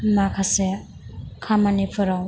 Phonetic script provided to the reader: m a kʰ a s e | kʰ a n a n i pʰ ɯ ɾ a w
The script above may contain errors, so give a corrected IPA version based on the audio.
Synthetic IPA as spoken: m a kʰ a s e | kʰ a m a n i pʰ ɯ ɾ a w

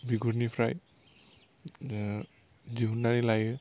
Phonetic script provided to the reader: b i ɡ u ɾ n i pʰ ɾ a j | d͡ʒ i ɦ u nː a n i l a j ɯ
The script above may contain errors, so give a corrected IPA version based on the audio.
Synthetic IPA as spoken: b i ɡ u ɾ n i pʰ ɾ a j | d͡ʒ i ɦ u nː a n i l a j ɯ

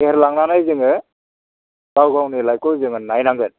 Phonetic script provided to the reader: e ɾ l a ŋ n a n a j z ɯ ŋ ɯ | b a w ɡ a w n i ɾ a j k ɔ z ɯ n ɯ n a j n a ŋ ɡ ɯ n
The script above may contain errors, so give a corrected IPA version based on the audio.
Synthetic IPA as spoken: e ɾ l a ŋ n a n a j z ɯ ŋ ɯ | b a w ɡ a w n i l a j k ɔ z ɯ ŋ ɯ n a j n a ŋ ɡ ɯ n

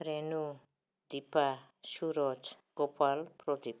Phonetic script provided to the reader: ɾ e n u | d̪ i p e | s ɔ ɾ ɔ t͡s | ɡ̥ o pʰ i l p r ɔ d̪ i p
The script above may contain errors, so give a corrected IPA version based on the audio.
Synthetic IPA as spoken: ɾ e n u | d̪ i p a | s u ɾ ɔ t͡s | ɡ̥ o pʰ a l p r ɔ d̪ i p

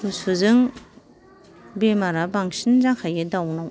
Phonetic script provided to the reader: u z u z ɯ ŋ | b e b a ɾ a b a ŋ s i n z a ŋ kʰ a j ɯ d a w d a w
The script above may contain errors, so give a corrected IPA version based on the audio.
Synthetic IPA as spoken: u s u z ɯ ŋ | b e m a ɾ a b a ŋ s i n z a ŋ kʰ a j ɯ d a w n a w

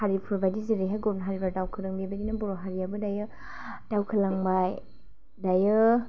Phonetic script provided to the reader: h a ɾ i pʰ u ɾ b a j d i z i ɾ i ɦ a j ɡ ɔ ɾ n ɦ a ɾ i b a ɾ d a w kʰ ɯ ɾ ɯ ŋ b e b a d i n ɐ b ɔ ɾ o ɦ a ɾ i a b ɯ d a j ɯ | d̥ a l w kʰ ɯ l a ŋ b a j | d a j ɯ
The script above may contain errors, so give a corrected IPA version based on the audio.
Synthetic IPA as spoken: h a ɾ i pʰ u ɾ b a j d i z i ɾ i ɦ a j ɡ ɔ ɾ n ɦ a ɾ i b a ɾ d a w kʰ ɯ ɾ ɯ ŋ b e b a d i n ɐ b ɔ ɾ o ɦ a ɾ i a b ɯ d a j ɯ | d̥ a w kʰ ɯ l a ŋ b a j | d a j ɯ

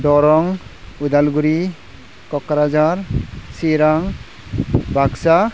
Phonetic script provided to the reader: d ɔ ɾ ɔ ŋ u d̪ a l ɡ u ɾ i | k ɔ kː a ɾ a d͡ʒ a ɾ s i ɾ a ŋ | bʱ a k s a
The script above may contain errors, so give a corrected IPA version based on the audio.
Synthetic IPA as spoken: d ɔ ɾ ɔ ŋ u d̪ a l ɡ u ɾ i | k ɔ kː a ɾ a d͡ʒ a ɾ s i ɾ a ŋ | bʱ a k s a

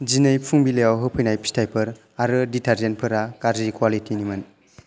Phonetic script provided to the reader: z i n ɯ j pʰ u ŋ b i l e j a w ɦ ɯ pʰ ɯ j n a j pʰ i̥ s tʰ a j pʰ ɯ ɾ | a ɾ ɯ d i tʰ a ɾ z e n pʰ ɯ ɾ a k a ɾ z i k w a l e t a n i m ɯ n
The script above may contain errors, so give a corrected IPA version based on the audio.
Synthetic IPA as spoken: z i n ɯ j pʰ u ŋ b i l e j a w ɦ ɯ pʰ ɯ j n a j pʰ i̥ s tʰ a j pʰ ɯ ɾ | a ɾ ɯ d i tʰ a ɾ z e n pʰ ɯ ɾ a k a ɾ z i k w a l i t i n i m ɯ n

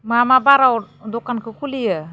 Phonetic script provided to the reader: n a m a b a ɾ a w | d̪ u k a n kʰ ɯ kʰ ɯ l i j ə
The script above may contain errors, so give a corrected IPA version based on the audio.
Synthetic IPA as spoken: m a m a b a ɾ a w | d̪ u k a n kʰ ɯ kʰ u l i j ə

